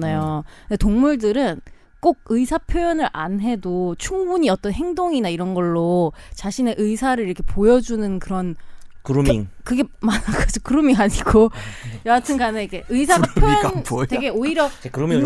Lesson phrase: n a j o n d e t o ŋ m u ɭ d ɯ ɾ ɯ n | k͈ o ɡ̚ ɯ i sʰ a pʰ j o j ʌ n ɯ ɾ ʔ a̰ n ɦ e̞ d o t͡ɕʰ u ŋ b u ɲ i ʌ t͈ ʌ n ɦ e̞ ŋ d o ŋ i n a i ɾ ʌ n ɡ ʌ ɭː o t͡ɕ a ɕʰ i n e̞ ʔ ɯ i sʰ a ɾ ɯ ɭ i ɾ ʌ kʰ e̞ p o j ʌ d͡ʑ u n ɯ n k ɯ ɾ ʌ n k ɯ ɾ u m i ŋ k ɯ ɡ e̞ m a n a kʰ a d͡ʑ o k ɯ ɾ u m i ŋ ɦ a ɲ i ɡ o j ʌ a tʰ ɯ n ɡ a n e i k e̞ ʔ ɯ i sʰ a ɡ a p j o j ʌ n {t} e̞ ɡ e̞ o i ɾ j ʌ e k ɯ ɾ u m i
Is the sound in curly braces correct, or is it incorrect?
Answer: correct